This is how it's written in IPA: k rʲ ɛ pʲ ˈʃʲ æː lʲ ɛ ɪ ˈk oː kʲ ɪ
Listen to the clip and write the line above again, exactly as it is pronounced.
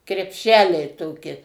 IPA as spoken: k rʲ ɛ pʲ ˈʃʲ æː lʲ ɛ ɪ ˈt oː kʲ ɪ